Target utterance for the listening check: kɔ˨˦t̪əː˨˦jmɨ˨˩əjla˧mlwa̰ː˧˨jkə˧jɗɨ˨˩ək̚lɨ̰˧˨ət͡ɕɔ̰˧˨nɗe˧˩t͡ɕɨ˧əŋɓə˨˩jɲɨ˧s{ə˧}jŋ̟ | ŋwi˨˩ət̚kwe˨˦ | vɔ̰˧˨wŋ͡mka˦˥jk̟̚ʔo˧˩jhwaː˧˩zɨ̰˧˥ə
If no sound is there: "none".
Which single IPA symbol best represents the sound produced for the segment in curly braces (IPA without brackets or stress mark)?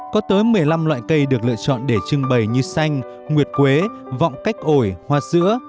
a˧